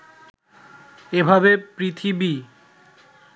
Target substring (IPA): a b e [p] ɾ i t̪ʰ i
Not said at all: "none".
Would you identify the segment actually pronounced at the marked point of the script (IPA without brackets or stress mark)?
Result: p